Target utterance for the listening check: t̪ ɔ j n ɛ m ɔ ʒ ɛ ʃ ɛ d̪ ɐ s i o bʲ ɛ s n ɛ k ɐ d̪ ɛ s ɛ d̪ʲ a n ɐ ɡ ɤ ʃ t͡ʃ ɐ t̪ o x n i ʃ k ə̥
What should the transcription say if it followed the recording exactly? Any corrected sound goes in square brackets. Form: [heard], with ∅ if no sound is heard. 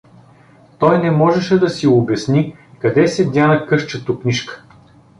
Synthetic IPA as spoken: t̪ ɔ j n ɛ m ɔ ʒ ɛ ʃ ɛ d̪ ɐ s i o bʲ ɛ s n [i] k ɐ d̪ ɛ s ɛ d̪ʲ a n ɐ [k] ɤ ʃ t͡ʃ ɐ t̪ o [k] n i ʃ k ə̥